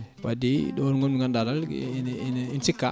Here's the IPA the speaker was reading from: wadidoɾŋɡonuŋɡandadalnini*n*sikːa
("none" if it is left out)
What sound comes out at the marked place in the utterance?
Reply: n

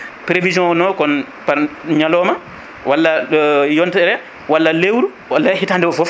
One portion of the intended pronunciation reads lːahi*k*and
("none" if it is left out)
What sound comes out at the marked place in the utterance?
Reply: t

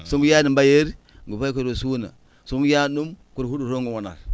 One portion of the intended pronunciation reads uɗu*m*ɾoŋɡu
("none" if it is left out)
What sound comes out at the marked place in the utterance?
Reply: none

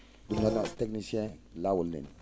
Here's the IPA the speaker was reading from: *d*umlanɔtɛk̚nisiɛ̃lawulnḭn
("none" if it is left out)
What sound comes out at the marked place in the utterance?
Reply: d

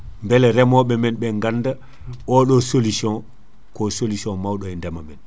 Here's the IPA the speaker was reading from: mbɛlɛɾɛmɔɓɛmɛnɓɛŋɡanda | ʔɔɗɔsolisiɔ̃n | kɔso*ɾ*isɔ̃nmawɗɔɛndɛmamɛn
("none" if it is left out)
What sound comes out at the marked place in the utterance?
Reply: l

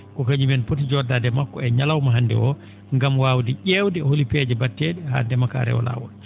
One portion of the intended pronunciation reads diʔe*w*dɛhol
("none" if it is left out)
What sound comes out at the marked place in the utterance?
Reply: w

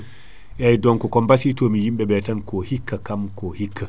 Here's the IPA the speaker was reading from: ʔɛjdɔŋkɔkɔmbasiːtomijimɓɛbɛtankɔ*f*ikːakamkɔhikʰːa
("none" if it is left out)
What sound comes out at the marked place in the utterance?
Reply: h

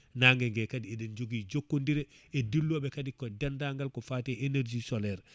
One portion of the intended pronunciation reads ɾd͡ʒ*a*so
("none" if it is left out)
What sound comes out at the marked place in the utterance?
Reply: i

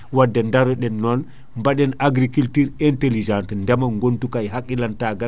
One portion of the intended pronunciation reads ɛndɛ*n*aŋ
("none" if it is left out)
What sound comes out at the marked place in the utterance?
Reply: m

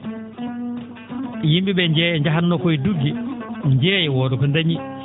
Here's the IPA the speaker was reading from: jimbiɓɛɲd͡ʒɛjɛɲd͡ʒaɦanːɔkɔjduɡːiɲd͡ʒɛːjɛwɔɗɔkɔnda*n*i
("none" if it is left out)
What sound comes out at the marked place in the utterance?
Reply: ɲ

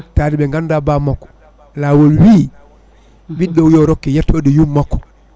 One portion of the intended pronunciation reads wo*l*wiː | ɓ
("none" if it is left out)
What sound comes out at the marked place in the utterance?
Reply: l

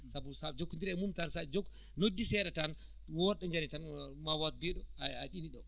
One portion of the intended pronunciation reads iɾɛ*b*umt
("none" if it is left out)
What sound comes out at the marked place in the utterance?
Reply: m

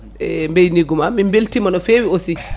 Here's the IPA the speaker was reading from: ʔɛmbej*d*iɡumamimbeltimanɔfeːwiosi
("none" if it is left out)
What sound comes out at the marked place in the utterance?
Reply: n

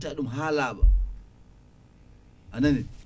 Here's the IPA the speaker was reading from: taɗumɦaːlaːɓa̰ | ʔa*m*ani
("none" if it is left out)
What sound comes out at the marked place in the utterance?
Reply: n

